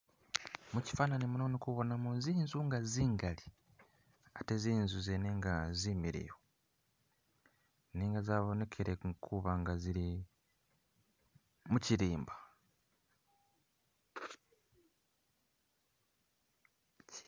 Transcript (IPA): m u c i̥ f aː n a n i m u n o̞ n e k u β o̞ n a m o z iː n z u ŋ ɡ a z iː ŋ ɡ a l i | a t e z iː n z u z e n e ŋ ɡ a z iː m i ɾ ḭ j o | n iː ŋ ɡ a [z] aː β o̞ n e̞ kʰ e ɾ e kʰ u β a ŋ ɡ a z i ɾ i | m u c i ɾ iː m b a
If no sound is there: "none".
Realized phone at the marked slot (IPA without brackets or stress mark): z